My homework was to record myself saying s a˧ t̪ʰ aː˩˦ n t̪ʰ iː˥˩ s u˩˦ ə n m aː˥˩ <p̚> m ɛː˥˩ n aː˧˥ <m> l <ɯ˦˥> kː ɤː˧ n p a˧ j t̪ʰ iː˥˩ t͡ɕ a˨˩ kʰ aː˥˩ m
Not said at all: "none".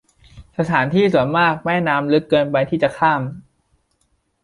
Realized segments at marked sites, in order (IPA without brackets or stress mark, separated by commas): k̚, m, ɯ˦˥